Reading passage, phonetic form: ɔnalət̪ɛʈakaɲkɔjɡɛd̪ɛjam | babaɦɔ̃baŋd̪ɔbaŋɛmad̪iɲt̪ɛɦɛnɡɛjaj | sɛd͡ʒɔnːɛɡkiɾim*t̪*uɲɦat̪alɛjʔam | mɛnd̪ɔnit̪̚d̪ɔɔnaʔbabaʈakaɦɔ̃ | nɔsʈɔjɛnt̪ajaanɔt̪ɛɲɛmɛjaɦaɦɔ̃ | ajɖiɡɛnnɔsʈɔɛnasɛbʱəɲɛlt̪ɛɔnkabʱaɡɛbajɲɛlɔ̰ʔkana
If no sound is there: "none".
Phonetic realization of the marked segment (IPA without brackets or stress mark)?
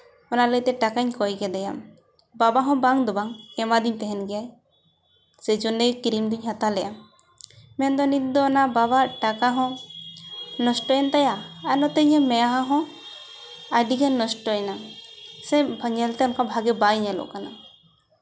d̪